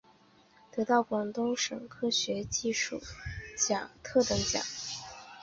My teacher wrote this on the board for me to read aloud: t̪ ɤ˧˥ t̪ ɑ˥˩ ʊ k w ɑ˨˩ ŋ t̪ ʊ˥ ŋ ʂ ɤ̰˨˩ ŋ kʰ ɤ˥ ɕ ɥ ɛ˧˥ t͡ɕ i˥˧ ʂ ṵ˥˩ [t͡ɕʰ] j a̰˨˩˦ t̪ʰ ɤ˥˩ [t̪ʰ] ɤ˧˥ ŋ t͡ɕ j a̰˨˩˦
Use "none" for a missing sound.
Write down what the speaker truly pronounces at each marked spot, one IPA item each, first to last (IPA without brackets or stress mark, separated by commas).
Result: t͡ɕ, t̪